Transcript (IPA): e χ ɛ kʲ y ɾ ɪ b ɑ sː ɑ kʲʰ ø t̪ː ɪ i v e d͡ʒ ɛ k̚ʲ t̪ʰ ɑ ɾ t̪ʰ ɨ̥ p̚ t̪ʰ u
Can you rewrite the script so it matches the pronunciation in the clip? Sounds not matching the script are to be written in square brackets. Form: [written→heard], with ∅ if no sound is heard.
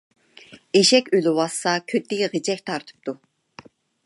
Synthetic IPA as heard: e [χ→ʃ] ɛ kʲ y [ɾ→l] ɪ [b→w] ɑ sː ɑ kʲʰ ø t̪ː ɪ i [v→ʁ] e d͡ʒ ɛ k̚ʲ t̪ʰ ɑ ɾ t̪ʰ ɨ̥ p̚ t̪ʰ u